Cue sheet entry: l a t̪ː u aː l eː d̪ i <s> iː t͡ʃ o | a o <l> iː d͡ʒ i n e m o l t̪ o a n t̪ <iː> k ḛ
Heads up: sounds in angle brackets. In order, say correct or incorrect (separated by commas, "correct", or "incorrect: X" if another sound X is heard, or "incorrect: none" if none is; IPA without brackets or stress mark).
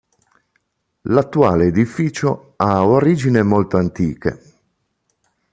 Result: incorrect: f, incorrect: ɾ, correct